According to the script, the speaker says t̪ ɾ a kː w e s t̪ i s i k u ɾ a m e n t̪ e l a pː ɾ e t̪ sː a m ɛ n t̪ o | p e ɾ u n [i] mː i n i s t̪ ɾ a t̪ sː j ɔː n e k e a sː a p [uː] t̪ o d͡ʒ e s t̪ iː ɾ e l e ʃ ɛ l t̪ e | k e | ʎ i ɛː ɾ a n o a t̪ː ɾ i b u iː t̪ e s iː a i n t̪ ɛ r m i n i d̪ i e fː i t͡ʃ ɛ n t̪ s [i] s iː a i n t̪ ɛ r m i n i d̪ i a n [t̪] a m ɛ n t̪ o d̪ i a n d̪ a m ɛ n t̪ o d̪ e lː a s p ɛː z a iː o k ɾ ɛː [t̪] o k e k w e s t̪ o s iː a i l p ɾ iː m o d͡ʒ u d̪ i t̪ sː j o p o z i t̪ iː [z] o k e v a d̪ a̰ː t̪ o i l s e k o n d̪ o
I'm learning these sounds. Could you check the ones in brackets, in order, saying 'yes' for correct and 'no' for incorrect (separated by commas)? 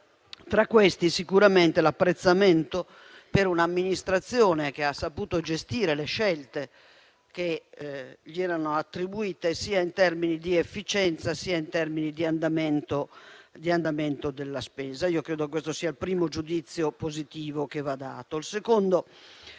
no, yes, no, no, no, no